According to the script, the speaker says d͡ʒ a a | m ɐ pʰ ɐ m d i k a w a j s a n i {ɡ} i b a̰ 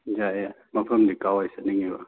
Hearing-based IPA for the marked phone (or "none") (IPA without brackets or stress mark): ŋ